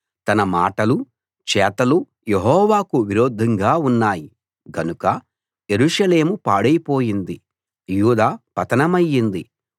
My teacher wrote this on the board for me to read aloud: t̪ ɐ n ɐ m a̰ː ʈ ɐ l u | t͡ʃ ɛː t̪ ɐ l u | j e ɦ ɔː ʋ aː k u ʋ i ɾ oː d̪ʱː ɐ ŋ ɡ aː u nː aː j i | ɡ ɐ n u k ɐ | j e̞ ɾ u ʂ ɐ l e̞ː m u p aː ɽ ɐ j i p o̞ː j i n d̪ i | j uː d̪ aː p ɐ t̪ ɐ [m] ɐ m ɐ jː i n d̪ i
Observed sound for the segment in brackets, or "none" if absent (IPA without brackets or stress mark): n